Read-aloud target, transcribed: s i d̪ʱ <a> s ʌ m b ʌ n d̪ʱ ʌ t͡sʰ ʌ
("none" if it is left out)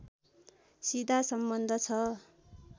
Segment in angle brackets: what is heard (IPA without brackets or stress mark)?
a